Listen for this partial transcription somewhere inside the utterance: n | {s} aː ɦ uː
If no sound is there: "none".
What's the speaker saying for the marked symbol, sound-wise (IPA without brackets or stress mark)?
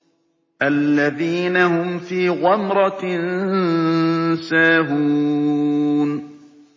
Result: s